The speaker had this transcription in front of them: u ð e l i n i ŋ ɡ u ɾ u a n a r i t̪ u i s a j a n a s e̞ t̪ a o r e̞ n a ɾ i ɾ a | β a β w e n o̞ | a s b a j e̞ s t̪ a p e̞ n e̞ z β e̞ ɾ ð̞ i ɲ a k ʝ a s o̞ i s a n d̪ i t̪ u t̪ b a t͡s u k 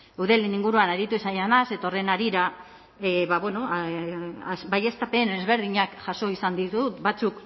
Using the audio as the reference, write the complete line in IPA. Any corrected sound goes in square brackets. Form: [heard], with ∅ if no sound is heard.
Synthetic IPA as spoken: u ð e l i n i ŋ ɡ u ɾ u a n a [ɾ] i t̪ u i s a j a n a s e̞ t̪ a o r e̞ n a ɾ i ɾ a | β a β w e n o̞ | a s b a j e̞ s t̪ a p e̞ n e̞ z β e̞ ɾ ð̞ i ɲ a k ʝ a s o̞ i s a n d̪ i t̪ u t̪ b a t͡s u k